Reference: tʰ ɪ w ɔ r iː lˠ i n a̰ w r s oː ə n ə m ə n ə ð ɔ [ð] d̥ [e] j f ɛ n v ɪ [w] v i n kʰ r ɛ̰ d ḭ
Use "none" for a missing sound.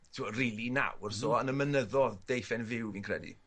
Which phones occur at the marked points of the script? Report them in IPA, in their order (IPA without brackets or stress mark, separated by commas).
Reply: ð, e, w